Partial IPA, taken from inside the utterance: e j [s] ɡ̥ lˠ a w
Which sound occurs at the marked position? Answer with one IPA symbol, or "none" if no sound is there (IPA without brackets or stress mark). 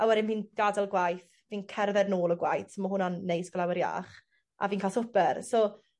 s